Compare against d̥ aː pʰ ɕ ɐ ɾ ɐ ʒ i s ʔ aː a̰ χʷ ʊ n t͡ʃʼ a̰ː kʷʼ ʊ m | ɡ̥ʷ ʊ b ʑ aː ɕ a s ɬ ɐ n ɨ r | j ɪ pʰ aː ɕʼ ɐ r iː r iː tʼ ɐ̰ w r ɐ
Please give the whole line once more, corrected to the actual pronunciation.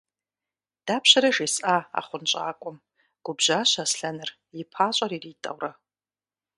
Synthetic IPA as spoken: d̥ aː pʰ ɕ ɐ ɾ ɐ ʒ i s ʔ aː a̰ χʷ ʊ n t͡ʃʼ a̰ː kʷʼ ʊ m | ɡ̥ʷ ʊ b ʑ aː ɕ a s ɬ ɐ n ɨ r | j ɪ pʰ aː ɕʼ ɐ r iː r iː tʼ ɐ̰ w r ɐ

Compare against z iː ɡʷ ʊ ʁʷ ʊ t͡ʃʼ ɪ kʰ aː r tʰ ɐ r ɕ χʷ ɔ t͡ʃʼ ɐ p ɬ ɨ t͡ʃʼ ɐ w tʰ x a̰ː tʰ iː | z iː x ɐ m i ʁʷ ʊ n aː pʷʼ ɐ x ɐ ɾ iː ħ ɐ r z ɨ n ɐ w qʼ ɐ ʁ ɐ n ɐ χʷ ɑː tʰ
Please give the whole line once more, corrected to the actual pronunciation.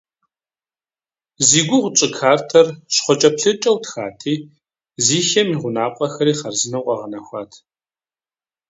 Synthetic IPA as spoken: z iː ɡʷ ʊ ʁʷ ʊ t͡ʃʼ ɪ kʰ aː r tʰ ɐ r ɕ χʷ ɔ t͡ʃʼ ɐ p ɬ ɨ t͡ʃʼ ɐ w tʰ x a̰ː tʰ iː | z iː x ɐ m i ʁʷ ʊ n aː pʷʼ ɐ x ɐ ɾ iː χ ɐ r z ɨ n ɐ w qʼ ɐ ʁ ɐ n ɐ xʷ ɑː tʰ

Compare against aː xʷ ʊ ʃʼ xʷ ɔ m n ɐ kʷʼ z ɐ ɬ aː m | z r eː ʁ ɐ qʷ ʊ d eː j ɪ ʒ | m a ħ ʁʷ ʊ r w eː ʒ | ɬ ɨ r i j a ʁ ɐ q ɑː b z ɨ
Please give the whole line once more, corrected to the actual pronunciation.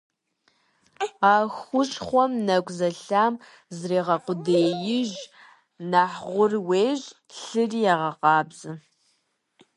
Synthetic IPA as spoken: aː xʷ ʊ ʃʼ χʷ ɔ m n ɐ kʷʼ z ɐ ɬ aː m | z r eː ʁ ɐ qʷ ʊ d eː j ɪ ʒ | n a ħ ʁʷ ʊ r w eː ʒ | ɬ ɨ r i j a ʁ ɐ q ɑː b z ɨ

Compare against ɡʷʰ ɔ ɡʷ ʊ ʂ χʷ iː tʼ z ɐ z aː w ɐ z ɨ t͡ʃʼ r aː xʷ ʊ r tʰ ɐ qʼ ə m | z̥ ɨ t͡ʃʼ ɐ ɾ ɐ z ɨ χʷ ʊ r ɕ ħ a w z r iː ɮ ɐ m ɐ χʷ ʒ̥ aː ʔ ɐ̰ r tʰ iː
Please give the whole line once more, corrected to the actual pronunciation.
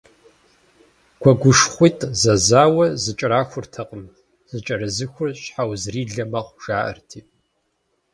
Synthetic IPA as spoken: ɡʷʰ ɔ ɡʷ ʊ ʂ χʷ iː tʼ z ɐ z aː w ɐ z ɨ t͡ʃʼ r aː xʷ ʊ r tʰ ɐ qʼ ə m | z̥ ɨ t͡ʃʼ ɐ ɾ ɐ z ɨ xʷ ʊ r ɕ ħ a w z r iː ɮ ɐ m ɐ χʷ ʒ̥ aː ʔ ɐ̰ r tʰ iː

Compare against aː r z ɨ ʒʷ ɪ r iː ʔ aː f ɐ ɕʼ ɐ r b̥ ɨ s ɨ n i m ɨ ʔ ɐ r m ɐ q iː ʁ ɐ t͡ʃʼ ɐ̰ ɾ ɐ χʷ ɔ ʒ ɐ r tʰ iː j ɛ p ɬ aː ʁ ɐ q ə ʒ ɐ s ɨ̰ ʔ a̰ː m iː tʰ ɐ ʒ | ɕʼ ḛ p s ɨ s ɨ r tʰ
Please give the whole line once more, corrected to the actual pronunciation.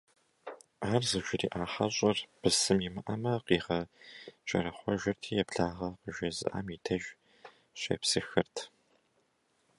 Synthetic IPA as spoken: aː r z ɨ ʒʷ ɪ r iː ʔ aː ħ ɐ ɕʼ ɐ r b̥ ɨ s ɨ m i m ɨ ʔ ɐ m ɐ q iː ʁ ɐ t͡ʃʼ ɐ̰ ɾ ɐ χʷ ɔ ʒ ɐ r tʰ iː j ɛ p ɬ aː ʁ ɐ q ə ʒ ɐ z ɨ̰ ʔ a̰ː m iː tʰ ɐ ʒ | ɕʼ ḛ p s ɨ x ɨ r tʰ

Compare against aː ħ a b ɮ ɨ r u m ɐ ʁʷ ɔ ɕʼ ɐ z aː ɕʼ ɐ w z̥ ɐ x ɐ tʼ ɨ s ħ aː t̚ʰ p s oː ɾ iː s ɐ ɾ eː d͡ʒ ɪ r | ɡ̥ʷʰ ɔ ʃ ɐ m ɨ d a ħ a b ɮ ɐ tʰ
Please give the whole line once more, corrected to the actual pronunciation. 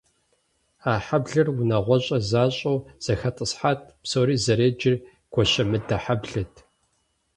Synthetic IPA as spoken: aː ħ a b ɮ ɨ r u n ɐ ʁʷ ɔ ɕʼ ɐ z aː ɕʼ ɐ w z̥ ɐ x ɐ tʼ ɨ s ħ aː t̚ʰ p s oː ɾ iː z ɐ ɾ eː d͡ʒ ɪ r | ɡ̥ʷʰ ɔ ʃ ɐ m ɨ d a ħ a b ɮ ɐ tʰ

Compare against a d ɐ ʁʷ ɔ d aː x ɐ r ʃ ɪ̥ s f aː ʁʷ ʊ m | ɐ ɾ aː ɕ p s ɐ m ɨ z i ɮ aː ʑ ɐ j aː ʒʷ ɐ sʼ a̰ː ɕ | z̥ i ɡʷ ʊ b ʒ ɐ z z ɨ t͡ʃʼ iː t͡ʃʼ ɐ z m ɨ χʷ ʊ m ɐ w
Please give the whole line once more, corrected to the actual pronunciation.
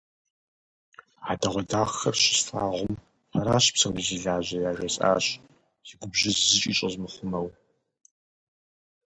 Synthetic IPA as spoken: a d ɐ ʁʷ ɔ d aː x ɐ r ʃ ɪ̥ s f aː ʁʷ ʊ m | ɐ ɾ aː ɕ p s ɐ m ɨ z i ɮ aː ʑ ɐ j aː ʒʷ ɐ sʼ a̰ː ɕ | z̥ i ɡʷ ʊ b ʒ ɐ z z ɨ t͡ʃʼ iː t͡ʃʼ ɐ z m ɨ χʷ ʊ m ɐ w

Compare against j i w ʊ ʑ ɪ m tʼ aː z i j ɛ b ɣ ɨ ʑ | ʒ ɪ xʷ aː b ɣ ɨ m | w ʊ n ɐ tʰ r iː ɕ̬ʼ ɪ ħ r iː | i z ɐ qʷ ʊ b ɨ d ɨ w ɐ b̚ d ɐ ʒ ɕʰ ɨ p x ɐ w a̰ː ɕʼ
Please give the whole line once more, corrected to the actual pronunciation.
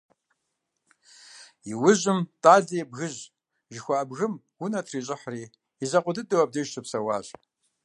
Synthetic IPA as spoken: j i w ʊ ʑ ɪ m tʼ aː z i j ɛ b ɣ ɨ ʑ | ʒ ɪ xʷ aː b ɣ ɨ m | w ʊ n ɐ tʰ r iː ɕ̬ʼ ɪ ħ r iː | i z ɐ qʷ ʊ d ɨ d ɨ w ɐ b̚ d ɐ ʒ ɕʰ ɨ p s ɐ w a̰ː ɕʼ

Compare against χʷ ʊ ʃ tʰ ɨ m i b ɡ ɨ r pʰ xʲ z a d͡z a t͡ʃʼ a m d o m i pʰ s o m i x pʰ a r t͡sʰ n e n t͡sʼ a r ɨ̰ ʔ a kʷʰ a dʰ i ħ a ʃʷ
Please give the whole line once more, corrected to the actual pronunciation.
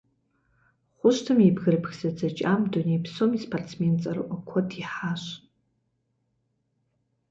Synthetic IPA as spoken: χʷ ʊ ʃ tʰ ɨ m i b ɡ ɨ r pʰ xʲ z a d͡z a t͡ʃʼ a m d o n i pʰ s o m i s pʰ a r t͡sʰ m e n t͡sʼ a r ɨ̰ ʔ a kʷʰ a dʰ i ħ a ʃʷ

